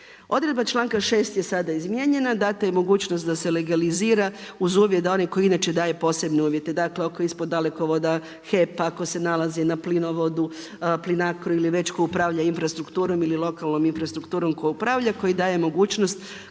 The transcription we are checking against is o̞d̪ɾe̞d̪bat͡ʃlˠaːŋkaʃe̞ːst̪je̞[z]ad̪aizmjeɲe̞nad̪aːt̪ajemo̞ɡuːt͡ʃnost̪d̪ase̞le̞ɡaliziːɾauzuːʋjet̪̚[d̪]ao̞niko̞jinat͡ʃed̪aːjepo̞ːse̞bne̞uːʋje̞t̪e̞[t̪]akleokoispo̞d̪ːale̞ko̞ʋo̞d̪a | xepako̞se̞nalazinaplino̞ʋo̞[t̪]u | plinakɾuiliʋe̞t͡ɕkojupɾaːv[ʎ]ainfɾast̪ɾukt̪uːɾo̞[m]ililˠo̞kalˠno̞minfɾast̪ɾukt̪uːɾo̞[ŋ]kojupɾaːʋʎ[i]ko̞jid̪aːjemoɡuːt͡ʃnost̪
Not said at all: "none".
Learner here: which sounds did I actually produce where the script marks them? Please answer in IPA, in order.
s, d̪, d̪, d̪, ʎ, m, m, a

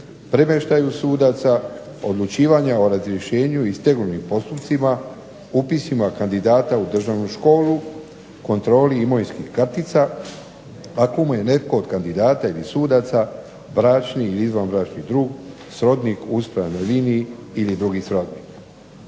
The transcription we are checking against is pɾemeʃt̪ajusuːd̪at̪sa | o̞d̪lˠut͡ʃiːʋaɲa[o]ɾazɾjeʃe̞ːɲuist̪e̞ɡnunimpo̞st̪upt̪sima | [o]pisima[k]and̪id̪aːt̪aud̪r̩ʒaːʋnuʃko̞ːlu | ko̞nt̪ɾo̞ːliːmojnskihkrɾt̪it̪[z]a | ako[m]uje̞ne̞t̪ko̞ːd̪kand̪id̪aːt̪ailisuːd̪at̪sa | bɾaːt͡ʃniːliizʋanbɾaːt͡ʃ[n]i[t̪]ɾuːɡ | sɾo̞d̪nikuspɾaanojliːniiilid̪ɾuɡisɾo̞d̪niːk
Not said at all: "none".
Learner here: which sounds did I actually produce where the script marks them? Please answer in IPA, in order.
o, u, k, s, m, n, d̪

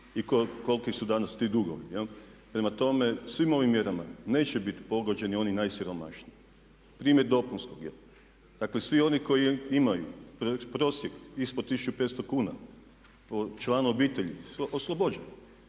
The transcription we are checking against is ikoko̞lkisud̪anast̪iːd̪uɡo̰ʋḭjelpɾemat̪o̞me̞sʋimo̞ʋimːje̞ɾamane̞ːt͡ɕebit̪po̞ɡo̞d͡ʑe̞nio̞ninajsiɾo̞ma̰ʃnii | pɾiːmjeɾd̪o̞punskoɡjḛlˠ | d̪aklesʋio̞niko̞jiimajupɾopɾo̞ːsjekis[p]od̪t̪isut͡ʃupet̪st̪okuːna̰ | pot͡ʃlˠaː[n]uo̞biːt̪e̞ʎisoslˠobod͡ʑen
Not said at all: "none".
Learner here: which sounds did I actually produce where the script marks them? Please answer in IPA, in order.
p, n

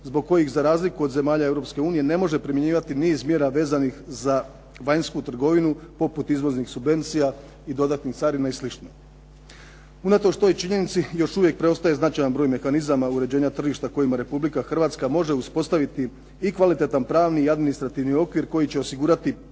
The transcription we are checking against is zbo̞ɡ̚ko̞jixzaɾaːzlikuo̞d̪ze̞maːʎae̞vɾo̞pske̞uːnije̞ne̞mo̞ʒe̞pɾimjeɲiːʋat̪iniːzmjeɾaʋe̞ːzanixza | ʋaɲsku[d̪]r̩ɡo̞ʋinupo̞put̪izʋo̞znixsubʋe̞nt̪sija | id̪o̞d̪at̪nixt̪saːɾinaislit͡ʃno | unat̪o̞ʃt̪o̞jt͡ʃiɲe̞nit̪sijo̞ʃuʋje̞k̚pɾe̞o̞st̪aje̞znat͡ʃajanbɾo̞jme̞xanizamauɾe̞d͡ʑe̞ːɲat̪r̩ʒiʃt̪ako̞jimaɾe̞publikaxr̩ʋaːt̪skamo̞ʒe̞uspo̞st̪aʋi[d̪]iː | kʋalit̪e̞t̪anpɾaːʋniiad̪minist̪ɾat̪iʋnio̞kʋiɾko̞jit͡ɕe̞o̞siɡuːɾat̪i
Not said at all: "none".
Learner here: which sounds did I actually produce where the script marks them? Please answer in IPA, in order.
t̪, t̪

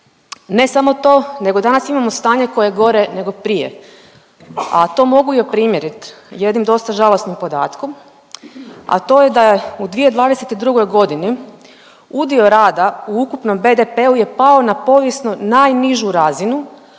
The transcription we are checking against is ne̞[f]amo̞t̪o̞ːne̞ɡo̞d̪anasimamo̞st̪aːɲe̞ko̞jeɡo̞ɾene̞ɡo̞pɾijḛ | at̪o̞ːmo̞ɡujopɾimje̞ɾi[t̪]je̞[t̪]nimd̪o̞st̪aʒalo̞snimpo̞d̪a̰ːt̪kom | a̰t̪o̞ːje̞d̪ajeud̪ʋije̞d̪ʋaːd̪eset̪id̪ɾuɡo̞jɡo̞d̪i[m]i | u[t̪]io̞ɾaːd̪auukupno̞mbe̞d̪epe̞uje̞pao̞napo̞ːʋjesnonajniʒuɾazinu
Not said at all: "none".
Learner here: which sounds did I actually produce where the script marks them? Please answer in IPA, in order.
s, t̪, d̪, n, d̪

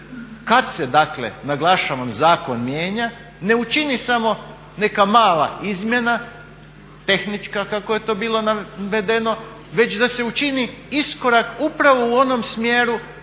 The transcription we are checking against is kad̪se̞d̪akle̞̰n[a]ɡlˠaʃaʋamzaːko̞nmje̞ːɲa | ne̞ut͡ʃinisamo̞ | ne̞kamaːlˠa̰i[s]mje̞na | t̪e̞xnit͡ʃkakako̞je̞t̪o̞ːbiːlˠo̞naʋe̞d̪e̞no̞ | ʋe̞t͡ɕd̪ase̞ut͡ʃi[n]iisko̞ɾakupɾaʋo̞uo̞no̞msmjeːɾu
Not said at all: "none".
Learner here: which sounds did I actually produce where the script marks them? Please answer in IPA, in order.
a, z, n

